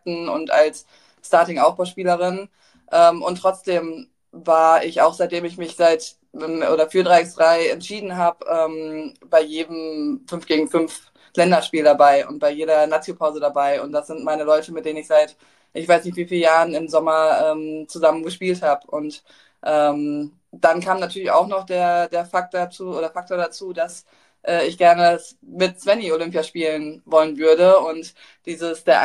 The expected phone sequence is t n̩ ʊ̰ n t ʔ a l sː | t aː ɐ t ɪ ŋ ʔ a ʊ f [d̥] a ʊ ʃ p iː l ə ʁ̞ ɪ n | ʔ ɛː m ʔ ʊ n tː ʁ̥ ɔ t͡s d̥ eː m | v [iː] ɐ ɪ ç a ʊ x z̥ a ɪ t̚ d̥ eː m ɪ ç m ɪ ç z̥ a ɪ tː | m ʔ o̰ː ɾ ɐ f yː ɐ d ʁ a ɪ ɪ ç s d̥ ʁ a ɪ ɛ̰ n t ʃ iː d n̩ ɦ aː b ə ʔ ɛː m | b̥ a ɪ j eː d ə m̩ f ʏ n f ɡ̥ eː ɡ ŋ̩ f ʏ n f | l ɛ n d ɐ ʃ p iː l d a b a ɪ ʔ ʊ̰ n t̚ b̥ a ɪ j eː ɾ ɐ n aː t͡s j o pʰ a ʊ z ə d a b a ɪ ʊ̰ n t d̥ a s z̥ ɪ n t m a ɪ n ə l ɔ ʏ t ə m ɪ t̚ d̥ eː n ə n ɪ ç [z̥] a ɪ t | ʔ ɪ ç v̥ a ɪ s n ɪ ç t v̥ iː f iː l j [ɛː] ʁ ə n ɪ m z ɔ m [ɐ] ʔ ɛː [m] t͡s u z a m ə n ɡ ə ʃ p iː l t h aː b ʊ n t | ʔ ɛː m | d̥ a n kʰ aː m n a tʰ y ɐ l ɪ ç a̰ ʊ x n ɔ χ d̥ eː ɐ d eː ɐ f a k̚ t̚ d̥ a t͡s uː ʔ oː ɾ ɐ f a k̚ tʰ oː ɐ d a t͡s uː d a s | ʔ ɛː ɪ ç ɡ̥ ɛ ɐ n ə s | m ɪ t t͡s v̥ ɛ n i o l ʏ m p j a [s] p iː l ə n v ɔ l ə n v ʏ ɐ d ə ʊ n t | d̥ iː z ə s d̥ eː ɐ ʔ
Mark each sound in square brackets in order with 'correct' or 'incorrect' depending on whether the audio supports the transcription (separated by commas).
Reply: incorrect, incorrect, correct, incorrect, correct, correct, incorrect